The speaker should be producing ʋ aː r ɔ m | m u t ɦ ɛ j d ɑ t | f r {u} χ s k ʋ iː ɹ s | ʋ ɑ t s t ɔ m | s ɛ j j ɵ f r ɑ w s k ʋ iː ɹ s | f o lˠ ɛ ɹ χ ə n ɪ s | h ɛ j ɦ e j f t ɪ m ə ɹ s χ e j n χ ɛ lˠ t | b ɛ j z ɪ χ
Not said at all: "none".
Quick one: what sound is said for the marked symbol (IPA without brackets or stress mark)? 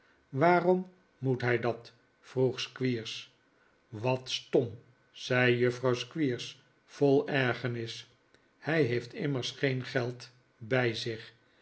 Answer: u